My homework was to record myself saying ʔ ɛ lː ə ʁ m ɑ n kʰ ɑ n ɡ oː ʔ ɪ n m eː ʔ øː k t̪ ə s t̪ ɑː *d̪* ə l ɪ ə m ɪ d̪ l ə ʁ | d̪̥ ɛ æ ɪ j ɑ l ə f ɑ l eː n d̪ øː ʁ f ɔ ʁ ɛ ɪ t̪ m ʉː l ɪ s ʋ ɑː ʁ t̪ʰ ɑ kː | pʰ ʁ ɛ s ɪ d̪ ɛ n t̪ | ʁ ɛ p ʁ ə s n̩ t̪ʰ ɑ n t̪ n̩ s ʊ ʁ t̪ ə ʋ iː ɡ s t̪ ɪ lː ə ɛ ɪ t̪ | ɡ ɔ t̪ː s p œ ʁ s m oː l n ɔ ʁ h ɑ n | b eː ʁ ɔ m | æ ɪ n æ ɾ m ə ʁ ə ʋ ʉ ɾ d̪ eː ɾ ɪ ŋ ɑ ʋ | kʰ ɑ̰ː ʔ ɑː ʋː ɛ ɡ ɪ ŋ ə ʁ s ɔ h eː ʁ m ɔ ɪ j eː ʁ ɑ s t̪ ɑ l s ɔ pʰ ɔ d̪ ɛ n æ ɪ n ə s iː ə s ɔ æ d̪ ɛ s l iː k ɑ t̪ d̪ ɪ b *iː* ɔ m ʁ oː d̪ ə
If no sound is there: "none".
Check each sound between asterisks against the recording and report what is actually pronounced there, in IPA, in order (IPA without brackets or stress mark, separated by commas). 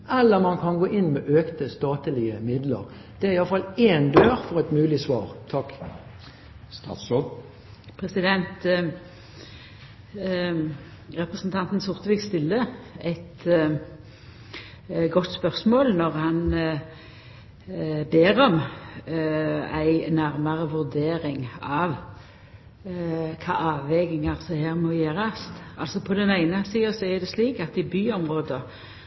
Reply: t̪, yː